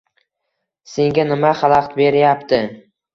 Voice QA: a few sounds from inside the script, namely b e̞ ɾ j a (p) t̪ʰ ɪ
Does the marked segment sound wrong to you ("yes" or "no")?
no